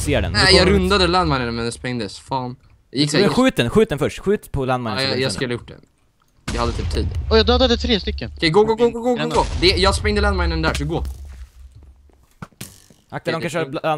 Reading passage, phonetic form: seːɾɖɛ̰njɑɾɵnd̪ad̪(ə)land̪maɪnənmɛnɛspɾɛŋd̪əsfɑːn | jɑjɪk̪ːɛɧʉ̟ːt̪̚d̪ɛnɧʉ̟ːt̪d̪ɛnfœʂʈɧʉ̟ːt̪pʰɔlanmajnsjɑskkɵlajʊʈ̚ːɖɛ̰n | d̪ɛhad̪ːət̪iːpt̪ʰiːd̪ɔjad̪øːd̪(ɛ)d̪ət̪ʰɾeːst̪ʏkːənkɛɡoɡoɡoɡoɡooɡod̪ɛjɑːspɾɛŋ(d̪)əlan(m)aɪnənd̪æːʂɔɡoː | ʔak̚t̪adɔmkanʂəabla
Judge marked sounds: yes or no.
yes, no, yes, yes

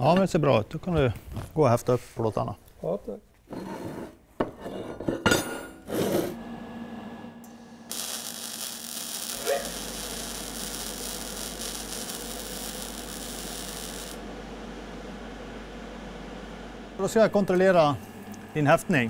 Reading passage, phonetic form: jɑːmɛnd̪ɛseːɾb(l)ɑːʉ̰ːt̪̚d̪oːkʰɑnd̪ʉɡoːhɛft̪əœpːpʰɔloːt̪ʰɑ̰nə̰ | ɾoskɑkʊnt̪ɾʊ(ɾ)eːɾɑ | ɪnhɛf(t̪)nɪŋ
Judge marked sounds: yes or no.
no, no, yes

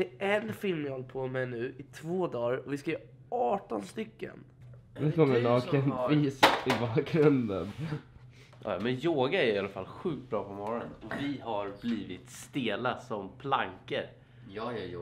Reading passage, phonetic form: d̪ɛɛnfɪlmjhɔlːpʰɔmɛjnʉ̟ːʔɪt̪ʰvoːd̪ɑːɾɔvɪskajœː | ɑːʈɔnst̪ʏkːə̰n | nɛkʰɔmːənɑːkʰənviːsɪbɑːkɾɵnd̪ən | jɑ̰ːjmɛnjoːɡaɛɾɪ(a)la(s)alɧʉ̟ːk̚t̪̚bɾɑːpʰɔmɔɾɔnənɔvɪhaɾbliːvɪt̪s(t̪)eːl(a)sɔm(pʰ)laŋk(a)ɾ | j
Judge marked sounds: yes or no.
yes, no, yes, yes, yes, no

